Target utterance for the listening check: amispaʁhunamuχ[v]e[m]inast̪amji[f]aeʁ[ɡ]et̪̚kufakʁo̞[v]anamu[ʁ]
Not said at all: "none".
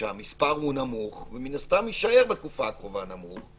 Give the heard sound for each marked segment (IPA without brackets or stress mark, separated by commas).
v, m, ʃ, b, v, χ